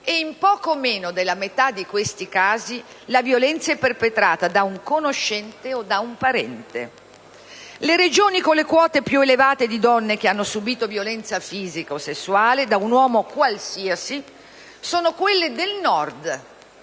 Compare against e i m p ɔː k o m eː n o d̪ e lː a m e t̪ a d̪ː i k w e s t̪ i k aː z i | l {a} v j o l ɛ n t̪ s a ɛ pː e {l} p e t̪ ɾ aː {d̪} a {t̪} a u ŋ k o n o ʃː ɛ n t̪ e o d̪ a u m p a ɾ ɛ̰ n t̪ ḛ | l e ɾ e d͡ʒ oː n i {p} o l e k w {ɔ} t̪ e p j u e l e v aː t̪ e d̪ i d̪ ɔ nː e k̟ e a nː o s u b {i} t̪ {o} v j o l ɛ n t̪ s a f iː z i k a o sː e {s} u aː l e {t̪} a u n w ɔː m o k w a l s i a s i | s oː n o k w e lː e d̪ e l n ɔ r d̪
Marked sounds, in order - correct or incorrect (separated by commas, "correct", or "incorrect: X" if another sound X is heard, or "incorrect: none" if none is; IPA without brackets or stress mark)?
correct, incorrect: r, incorrect: t̪, incorrect: d̪, incorrect: k, incorrect: ɔː, incorrect: iː, correct, incorrect: sː, incorrect: d̪